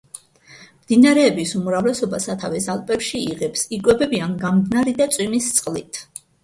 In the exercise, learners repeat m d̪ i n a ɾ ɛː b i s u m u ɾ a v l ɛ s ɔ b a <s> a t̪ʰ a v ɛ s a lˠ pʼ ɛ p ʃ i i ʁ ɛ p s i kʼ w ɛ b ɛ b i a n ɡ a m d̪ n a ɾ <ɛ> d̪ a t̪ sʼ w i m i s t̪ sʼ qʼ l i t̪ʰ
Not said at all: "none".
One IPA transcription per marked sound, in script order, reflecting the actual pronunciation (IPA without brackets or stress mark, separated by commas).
s, i